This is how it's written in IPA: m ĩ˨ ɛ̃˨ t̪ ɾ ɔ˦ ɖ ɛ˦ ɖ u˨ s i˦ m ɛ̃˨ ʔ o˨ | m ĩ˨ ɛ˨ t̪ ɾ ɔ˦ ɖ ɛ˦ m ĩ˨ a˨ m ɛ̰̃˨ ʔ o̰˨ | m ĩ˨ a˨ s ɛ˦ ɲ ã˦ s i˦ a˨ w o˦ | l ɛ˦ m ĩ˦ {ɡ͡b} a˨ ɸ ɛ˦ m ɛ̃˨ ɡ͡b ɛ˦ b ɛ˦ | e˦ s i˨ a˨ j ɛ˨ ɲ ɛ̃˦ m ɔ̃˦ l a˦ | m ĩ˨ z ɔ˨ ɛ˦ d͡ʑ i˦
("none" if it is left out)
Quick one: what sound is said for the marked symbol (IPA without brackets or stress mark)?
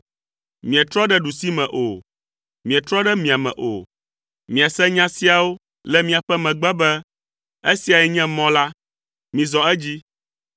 none